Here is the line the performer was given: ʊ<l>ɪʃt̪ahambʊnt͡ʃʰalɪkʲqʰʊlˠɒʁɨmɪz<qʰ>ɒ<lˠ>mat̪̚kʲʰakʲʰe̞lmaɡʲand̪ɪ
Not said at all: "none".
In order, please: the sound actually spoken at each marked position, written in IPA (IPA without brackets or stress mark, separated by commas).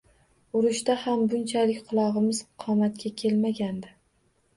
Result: ɾ, qʰ, none